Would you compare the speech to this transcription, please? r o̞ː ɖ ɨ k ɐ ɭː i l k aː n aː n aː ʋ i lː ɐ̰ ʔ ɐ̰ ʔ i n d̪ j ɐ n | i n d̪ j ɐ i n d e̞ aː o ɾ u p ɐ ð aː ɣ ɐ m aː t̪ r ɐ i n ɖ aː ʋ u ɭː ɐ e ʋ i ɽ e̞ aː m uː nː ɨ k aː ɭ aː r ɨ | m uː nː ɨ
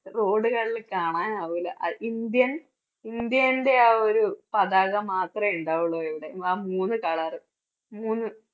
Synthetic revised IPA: r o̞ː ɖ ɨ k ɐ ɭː i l k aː ɳ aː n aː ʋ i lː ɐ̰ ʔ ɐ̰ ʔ i n d̪ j ɐ n | i n d̪ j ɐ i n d e̞ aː o ɾ u p ɐ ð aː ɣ ɐ m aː t̪ r ɐ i ɳ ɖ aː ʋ u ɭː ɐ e ʋ i ɽ e̞ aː m uː nː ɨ k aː ɭ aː r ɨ | m uː nː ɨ